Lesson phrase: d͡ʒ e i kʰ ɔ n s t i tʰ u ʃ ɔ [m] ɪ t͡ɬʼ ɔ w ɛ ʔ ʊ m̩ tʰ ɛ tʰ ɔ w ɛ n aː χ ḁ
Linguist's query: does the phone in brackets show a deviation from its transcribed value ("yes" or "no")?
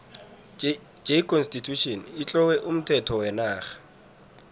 yes